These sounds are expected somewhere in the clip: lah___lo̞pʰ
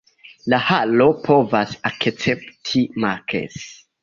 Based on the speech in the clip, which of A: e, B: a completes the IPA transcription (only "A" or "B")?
B